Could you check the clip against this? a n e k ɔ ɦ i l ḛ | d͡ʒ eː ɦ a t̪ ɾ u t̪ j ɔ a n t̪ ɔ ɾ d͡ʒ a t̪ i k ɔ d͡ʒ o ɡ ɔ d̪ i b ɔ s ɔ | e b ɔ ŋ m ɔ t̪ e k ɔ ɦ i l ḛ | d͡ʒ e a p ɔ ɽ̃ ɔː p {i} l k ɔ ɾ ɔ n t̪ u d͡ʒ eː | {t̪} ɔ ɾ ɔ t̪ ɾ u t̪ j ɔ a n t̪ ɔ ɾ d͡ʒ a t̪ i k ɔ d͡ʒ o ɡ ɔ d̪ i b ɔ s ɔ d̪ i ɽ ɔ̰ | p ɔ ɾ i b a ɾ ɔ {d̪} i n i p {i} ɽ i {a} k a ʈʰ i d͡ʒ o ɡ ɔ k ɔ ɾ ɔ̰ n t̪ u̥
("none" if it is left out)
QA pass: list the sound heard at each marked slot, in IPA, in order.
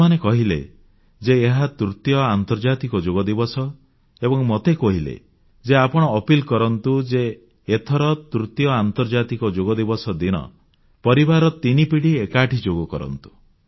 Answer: i, t̪ʰ, t̪, i, e

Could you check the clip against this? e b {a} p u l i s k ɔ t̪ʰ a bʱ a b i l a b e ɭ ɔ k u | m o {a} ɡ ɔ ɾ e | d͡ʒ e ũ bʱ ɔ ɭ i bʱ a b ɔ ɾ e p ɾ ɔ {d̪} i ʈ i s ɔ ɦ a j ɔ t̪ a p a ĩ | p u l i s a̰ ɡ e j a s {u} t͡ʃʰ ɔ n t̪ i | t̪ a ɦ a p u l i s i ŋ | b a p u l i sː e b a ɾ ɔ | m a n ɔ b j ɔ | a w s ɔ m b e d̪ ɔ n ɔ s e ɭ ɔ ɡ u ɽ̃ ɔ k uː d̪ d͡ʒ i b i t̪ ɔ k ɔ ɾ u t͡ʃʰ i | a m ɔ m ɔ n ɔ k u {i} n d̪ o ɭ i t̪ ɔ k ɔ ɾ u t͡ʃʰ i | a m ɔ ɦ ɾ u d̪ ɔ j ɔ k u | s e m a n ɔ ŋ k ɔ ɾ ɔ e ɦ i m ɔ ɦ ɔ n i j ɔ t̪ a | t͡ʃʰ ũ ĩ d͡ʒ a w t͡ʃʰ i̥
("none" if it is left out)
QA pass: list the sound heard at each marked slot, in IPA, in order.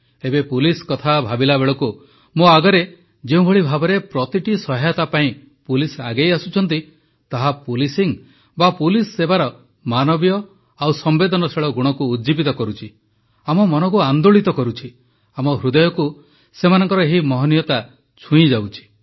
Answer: e, a, t̪, u, a

